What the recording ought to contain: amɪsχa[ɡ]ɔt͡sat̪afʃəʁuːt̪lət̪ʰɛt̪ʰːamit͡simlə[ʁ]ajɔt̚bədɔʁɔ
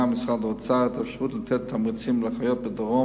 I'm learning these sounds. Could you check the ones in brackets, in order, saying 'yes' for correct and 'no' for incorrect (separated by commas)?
no, no